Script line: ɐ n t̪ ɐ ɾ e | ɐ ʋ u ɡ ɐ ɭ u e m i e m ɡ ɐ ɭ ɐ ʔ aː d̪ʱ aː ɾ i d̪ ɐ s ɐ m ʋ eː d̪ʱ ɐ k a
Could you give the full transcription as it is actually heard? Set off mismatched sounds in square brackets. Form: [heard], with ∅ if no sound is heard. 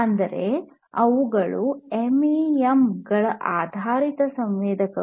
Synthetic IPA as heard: ɐ n [d̪] ɐ ɾ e | ɐ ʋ u ɡ ɐ ɭ u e m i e m ɡ ɐ ɭ ɐ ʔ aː d̪ʱ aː ɾ i [t̪] ɐ s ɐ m ʋ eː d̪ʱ ɐ k [ɐ]